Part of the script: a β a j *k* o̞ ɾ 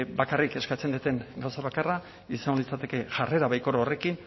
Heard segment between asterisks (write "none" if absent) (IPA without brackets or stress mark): k